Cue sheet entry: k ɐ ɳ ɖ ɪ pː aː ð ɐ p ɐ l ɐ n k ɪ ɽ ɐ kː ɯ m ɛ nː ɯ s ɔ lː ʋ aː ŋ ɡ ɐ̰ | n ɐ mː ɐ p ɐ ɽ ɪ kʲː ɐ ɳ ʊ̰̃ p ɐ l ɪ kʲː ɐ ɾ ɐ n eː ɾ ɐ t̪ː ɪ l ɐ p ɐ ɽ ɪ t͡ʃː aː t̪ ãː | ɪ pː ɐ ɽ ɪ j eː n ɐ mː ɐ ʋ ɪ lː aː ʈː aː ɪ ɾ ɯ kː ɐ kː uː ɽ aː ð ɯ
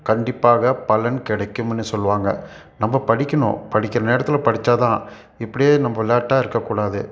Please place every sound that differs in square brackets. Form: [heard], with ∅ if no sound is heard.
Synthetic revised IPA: k ɐ ɳ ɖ ɪ pː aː [ɣ] ɐ p ɐ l ɐ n k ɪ ɽ ɐ kː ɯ m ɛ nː ɯ s ɔ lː ʋ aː ŋ ɡ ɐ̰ | n ɐ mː ɐ p ɐ ɽ ɪ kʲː ɐ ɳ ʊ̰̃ p ɐ [ɽ] ɪ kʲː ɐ ɾ ɐ n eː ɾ ɐ t̪ː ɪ l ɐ p ɐ ɽ ɪ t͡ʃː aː t̪ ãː | ɪ pː ɐ ɽ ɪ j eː n ɐ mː ɐ ʋ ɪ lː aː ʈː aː ɪ ɾ ɯ kː ɐ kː uː ɽ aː ð ɯ